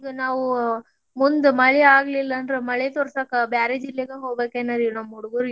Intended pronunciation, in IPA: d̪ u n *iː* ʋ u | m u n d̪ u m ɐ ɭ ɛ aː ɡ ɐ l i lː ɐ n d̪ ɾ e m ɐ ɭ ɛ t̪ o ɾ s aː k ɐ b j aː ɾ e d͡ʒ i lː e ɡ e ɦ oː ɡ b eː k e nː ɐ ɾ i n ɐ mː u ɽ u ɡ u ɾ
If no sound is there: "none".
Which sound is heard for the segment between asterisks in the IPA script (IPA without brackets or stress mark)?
aː